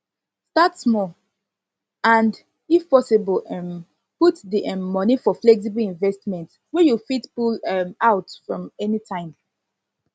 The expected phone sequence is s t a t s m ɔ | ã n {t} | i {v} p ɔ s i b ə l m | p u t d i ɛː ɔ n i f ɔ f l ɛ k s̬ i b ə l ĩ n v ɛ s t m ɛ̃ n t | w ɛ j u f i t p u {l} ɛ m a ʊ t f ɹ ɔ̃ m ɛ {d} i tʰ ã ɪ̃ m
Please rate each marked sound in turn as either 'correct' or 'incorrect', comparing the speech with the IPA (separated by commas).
incorrect, incorrect, correct, incorrect